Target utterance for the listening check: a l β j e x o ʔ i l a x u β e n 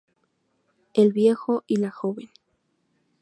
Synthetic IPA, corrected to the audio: e l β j e x o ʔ i l a x o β e n